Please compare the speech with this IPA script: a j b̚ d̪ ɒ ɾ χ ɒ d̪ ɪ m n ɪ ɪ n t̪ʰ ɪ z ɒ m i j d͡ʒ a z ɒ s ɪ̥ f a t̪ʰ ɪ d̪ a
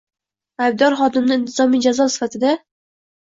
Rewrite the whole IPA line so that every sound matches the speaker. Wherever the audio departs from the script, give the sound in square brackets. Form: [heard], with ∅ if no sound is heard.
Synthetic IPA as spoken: a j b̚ d̪ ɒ ɾ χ ɒ d̪ ɪ m n ɪ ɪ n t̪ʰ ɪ z ɒ m i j d͡ʒ a z ɒ s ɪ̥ f a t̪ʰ ɪ d̪ a